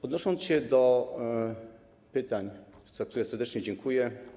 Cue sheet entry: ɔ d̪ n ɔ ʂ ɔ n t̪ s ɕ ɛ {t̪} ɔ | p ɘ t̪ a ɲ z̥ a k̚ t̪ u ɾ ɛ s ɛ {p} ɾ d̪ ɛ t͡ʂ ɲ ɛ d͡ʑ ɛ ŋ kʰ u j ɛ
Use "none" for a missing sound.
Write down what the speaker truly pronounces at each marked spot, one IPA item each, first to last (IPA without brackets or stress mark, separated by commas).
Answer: d̪, none